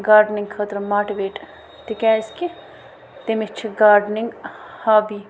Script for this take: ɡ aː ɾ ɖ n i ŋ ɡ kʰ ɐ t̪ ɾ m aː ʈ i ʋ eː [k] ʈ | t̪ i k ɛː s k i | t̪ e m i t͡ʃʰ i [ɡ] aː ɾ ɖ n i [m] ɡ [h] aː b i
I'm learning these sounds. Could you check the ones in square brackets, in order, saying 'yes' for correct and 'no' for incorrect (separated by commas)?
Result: no, yes, no, yes